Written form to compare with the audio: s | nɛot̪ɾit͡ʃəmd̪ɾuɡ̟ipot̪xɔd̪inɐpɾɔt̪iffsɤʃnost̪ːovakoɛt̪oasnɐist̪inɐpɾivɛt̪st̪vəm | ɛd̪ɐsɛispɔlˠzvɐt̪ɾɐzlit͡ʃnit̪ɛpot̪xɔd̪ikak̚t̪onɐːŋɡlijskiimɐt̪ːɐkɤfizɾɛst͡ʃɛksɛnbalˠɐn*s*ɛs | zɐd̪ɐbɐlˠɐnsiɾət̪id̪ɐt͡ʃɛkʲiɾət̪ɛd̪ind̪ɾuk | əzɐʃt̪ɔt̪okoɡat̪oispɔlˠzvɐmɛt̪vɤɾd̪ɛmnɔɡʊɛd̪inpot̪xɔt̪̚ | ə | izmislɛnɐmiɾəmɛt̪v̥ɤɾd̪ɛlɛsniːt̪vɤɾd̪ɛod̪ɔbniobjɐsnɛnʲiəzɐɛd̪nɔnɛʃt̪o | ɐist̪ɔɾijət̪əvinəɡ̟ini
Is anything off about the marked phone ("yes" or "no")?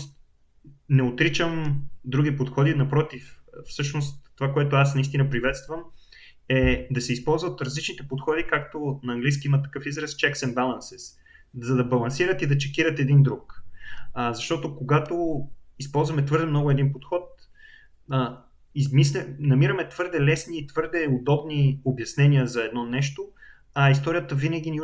no